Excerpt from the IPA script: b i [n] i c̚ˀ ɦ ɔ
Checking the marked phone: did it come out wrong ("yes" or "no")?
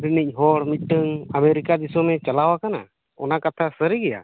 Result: no